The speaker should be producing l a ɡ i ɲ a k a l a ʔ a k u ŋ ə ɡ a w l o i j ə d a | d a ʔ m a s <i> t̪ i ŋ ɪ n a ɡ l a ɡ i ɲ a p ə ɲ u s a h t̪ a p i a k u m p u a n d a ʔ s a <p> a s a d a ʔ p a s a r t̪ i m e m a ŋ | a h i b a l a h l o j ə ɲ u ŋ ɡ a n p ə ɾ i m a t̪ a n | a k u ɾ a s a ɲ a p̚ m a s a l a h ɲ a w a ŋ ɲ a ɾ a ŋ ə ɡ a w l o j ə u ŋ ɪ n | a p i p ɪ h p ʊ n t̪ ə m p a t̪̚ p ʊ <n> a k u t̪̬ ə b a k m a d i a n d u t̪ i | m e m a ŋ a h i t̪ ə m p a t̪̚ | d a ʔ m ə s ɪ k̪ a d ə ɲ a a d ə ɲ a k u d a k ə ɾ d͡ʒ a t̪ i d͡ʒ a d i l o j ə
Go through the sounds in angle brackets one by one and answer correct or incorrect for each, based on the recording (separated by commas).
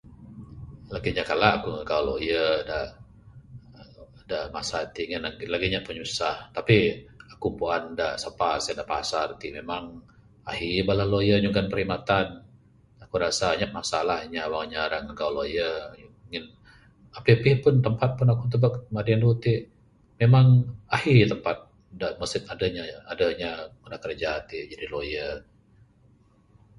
incorrect, correct, correct